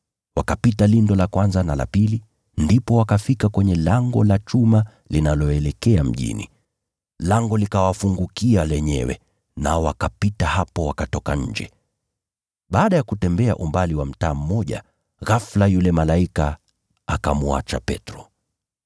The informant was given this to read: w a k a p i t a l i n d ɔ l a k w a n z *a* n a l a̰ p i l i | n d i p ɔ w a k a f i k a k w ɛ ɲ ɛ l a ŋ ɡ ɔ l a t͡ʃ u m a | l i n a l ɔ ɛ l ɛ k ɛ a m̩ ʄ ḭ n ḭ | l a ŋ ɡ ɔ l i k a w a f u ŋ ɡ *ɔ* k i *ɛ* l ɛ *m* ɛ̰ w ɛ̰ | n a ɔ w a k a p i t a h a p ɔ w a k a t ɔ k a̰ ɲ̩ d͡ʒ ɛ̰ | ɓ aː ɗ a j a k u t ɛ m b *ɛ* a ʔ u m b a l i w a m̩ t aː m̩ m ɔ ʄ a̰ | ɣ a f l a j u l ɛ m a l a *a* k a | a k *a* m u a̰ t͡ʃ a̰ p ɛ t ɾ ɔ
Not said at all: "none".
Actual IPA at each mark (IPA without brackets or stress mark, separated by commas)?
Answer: a, u, a, ɲ, ɛ, i, a